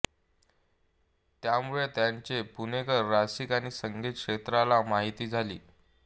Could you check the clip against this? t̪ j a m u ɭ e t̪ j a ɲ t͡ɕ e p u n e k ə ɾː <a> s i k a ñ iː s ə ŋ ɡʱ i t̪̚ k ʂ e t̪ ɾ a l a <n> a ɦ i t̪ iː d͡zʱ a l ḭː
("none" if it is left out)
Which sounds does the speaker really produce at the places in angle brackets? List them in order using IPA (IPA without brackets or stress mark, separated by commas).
a, m